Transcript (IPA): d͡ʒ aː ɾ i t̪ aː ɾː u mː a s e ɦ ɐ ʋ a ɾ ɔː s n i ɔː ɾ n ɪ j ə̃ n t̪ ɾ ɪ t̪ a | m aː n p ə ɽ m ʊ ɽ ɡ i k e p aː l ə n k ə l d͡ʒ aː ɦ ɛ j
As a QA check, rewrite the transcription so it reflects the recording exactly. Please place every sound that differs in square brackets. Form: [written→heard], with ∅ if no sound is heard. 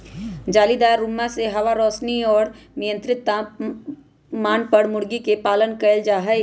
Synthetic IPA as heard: d͡ʒ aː [ɾ→l] i [t̪→d̪] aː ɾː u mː a s e ɦ ɐ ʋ a ɾ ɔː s n i ɔː ɾ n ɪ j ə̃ n t̪ ɾ ɪ t̪ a | m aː n p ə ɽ m ʊ ɽ ɡ i k e p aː l ə n k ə l d͡ʒ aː ɦ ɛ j